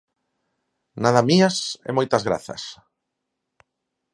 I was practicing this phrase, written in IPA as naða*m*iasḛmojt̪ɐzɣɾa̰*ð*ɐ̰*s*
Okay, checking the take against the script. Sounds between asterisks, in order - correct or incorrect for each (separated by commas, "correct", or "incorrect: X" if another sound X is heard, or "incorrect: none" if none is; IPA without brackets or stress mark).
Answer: correct, incorrect: θ, correct